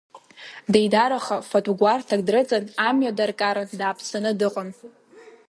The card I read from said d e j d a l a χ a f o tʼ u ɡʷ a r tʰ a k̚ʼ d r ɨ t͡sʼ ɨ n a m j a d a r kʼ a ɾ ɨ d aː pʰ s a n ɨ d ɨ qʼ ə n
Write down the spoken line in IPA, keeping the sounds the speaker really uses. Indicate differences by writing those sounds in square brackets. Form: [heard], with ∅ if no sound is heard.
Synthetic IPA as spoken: d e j d a [ɾ] a χ a f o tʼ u ɡʷ a r tʰ a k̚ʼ d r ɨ t͡sʼ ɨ n a m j a d a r kʼ a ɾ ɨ d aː pʰ s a n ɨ d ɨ qʼ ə n